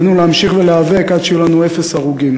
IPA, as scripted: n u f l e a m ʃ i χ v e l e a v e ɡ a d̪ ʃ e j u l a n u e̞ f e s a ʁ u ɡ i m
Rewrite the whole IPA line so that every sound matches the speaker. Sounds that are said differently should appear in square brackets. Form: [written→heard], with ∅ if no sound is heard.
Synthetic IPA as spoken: n u [f→∅] l e a m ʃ i χ v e l e a v e [ɡ→k] a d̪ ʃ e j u l a n u e̞ f e s a ʁ u ɡ i m